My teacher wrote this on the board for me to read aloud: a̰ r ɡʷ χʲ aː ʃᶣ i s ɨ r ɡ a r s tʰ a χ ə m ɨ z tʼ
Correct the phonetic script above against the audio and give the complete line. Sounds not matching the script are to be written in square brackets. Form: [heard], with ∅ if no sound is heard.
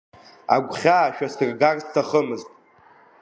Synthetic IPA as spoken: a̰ [∅] ɡʷ χʲ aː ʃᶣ [a] s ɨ r ɡ a r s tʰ a χ ə m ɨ z tʼ